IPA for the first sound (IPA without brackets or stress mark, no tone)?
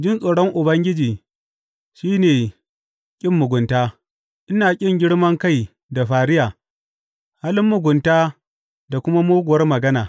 d͡ʒ